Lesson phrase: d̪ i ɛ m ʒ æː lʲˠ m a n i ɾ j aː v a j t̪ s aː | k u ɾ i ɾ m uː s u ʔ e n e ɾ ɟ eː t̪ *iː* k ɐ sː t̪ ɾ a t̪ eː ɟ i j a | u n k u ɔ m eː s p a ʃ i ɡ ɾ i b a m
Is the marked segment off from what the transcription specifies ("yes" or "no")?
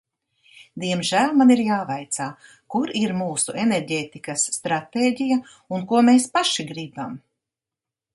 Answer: yes